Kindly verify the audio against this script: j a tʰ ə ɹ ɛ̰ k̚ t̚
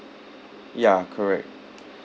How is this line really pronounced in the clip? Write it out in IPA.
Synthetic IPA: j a kʰ ə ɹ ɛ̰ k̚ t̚